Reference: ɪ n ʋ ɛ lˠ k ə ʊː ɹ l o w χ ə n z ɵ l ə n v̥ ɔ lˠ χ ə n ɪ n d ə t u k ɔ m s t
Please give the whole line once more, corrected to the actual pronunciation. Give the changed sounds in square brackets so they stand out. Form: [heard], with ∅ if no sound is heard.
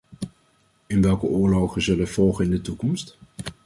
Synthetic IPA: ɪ n ʋ ɛ lˠ k ə ʊː ɹ l o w χ ə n z ɵ l ə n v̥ ɔ lˠ χ ə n ɪ n d ə t u k ɔ m s t